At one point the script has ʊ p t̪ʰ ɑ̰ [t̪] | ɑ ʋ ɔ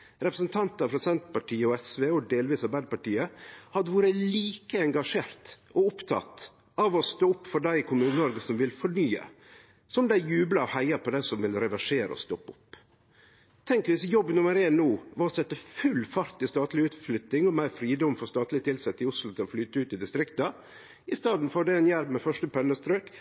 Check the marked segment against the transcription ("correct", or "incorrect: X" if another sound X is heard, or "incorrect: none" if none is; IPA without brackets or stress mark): correct